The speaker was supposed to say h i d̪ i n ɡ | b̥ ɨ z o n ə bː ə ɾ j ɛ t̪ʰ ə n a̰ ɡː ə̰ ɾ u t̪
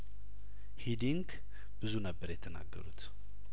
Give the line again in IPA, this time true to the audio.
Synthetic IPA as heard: h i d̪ i ŋ ɡ | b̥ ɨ z u n ə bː ə ɾ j ɛ t̪ʰ ə n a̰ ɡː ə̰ ɾ u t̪